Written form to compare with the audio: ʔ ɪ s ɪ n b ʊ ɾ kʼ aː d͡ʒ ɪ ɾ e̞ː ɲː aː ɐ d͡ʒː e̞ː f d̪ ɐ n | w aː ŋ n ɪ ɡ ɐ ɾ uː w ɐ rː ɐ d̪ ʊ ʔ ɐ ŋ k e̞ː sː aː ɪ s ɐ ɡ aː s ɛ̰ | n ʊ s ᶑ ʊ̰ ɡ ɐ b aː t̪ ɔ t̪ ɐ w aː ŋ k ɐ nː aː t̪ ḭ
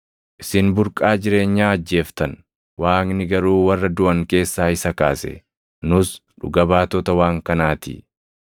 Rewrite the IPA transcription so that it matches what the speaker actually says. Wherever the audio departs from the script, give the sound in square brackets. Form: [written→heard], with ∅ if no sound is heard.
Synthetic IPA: ʔ ɪ s ɪ n b ʊ ɾ kʼ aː d͡ʒ ɪ ɾ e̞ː ɲː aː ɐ d͡ʒː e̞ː f [d̪→t̪] ɐ n | w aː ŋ n ɪ ɡ ɐ ɾ uː w ɐ rː ɐ d̪ ʊ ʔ ɐ ŋ k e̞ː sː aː ɪ s ɐ [ɡ→k] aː s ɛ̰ | n ʊ s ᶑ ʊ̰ ɡ ɐ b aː t̪ ɔ t̪ ɐ w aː ŋ k ɐ [nː→n] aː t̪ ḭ